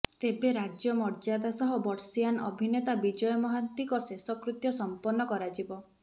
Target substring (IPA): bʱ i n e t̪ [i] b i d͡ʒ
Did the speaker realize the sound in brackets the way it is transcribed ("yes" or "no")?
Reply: no